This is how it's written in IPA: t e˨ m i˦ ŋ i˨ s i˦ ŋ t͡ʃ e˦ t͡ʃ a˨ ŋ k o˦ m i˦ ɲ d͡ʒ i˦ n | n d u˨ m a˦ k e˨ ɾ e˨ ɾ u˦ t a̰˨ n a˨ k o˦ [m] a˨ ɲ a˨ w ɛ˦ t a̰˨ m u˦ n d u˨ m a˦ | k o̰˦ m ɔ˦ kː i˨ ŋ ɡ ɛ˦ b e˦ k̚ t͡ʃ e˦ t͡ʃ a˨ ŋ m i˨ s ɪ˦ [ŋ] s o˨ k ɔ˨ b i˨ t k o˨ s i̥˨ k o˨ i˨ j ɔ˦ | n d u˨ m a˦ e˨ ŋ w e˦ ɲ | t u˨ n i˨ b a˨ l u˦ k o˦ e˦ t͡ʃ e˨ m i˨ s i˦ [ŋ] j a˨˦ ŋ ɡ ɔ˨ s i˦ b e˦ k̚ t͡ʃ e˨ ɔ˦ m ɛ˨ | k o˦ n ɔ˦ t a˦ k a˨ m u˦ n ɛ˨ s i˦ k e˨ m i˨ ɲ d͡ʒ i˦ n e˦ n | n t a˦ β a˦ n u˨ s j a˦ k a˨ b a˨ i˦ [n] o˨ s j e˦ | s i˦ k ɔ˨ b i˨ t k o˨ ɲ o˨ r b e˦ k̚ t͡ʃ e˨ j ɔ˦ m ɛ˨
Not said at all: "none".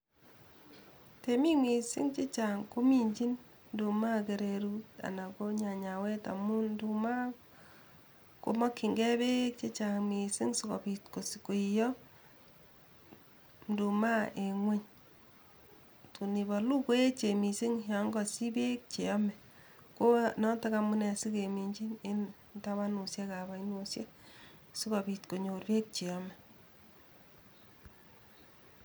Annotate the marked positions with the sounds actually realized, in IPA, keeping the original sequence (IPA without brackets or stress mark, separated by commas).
ɲ, ŋ, ŋ, n